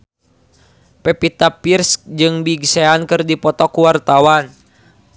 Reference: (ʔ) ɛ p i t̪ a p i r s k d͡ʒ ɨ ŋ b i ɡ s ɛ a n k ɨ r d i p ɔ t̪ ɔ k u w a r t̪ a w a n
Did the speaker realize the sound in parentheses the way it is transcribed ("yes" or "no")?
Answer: no